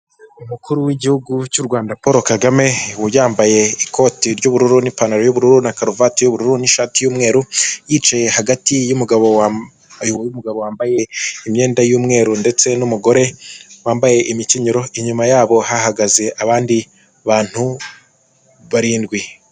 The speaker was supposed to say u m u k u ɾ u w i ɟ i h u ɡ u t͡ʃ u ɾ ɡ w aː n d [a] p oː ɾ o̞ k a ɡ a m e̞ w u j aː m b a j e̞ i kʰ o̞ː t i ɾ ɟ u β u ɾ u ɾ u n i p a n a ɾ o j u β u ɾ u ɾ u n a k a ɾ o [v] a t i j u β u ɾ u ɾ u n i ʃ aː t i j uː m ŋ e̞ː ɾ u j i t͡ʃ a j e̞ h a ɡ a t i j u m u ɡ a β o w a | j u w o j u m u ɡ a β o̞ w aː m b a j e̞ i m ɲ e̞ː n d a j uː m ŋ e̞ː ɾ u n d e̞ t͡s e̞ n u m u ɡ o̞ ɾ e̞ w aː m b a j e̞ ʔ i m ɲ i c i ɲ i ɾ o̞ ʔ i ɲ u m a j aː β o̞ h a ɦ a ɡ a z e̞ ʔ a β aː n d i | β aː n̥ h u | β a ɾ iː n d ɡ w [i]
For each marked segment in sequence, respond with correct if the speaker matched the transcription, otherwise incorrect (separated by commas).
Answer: correct, correct, correct